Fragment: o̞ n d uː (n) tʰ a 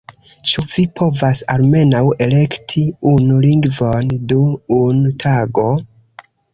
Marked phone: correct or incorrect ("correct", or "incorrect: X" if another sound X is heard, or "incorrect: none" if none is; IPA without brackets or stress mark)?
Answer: correct